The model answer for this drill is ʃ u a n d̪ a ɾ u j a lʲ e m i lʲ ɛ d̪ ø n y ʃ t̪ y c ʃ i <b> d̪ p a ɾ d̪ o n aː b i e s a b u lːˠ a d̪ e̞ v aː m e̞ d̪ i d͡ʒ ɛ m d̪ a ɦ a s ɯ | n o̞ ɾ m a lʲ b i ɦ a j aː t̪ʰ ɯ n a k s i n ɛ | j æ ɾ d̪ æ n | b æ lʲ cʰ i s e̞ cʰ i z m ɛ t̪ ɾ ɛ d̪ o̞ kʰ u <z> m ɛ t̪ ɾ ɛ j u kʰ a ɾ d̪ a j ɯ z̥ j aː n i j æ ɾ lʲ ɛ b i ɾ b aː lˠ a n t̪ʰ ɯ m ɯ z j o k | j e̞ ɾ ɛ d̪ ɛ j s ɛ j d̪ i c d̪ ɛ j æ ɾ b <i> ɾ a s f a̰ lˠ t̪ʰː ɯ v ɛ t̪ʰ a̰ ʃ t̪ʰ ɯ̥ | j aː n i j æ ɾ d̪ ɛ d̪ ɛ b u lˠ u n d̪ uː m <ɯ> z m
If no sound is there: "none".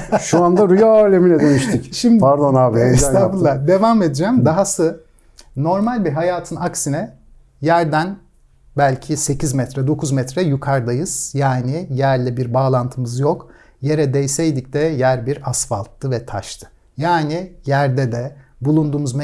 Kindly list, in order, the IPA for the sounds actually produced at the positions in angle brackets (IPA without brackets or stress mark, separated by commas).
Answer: m, z, i, u